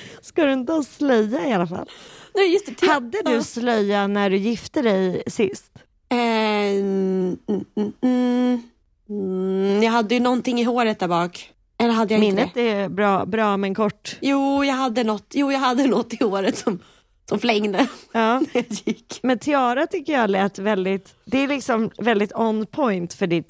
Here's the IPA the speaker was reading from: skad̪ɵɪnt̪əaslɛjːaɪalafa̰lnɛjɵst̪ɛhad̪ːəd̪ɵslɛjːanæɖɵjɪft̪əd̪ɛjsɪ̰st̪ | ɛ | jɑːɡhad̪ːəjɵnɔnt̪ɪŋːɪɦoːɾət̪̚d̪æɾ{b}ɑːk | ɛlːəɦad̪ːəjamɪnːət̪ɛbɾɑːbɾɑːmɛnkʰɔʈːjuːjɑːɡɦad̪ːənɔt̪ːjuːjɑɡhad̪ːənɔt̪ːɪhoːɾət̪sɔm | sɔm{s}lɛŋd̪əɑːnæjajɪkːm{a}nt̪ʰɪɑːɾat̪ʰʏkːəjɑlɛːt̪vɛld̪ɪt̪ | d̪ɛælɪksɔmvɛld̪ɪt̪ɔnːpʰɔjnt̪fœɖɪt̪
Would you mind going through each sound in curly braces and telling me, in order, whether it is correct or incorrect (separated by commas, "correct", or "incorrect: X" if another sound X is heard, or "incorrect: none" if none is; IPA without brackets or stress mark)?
correct, incorrect: f, incorrect: ɛ